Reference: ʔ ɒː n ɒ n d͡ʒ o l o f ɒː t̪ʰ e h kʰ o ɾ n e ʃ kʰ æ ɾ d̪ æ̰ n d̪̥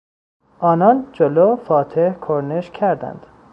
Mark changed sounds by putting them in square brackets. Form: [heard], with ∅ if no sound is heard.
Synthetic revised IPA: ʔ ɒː n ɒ n d͡ʒ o l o f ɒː t̪ʰ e h kʰ o ɾ n e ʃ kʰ æ ɾ d̪ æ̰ n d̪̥